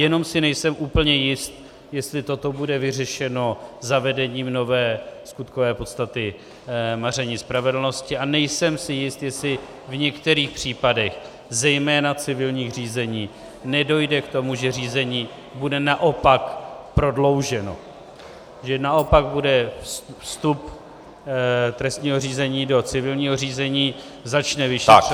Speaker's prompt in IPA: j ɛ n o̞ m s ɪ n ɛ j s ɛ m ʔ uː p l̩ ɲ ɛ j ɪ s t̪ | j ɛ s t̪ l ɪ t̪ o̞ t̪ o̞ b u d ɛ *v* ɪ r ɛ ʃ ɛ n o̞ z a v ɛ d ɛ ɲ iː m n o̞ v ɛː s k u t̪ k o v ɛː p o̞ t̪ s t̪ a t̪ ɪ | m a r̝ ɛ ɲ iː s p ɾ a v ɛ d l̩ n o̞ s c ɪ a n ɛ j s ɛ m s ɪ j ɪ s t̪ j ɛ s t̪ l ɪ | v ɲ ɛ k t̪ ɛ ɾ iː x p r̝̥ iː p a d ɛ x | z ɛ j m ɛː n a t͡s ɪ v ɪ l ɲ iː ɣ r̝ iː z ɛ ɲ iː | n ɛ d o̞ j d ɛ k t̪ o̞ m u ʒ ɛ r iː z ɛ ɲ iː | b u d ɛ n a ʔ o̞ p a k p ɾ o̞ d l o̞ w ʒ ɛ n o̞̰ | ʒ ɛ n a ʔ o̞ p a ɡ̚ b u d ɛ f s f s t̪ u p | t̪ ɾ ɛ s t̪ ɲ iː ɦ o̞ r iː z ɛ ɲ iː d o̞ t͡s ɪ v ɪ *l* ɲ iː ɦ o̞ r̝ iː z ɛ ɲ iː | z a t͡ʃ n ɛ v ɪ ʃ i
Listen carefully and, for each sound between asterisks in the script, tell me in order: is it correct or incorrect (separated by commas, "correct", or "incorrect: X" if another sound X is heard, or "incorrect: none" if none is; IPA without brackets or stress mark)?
correct, correct